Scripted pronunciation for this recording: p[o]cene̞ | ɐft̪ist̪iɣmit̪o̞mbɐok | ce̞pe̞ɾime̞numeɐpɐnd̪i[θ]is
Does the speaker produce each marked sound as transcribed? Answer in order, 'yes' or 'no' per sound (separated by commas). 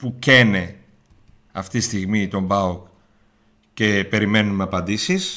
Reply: no, no